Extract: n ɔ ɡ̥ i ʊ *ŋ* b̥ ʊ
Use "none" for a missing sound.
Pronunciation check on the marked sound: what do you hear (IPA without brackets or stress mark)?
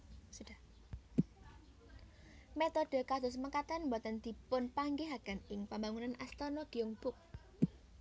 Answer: ŋ